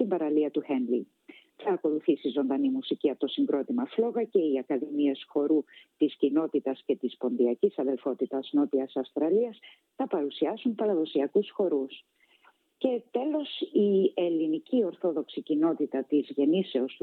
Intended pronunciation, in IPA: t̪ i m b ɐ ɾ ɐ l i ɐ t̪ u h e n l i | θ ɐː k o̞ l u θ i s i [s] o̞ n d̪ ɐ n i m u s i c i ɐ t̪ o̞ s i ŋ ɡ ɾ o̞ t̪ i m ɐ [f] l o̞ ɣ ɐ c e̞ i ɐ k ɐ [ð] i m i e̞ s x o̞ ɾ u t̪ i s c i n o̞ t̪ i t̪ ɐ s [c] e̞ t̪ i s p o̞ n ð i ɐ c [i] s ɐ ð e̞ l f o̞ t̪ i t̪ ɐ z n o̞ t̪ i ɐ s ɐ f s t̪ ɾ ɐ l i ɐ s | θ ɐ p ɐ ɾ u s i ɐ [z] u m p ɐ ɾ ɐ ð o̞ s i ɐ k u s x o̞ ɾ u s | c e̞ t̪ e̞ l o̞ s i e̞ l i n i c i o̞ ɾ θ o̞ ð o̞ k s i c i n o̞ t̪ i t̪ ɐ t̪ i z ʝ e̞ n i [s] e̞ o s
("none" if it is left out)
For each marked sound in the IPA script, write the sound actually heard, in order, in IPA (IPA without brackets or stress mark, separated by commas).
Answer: z, f, ð, c, i, s, s